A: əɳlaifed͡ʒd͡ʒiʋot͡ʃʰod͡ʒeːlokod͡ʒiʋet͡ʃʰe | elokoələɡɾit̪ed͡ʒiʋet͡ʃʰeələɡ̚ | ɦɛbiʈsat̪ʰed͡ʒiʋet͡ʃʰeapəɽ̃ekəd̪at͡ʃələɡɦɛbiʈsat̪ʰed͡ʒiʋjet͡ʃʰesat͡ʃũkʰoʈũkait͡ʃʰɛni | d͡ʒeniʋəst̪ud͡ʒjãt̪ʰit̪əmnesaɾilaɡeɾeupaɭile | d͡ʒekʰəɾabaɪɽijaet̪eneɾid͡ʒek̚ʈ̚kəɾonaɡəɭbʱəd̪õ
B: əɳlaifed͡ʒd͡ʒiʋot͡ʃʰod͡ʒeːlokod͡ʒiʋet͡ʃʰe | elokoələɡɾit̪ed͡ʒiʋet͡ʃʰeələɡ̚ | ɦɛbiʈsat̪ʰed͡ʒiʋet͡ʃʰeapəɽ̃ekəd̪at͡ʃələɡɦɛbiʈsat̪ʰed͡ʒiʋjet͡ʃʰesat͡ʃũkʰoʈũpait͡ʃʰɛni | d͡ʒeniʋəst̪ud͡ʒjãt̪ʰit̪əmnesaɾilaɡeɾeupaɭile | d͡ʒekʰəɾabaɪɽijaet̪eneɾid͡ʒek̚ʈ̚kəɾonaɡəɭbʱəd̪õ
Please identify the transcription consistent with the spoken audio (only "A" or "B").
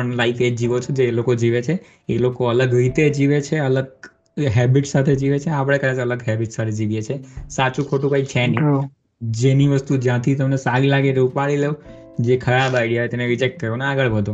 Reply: A